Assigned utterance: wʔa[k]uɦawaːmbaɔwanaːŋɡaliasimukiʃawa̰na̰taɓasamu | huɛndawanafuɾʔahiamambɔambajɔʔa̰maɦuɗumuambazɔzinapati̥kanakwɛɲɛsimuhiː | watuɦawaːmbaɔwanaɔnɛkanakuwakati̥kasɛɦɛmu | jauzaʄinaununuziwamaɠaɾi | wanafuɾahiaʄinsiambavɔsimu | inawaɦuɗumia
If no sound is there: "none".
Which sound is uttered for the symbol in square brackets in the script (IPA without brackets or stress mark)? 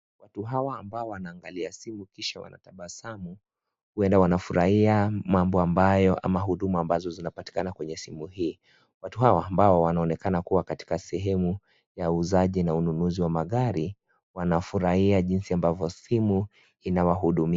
t